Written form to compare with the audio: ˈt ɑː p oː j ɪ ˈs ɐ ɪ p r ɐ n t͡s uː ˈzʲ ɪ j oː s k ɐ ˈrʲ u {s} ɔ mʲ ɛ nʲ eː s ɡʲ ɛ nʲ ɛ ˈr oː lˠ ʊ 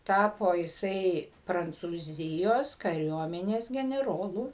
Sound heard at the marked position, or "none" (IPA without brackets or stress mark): none